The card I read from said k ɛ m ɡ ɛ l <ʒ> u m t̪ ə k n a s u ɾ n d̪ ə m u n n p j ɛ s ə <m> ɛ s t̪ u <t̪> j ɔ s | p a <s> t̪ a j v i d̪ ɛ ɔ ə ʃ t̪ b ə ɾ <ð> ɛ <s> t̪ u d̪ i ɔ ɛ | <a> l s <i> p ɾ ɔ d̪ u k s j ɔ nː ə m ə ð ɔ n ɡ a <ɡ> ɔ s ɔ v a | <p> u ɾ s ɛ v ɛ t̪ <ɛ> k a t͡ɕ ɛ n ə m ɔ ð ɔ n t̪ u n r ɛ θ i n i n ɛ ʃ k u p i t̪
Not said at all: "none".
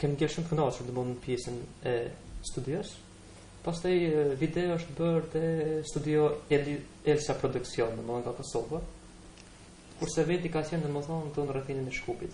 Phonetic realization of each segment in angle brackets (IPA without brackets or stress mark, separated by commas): ʃ, n, d̪, s, ð, s, ɛ, a, k, k, i